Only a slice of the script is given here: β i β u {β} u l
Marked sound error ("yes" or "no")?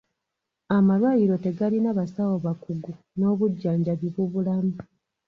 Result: no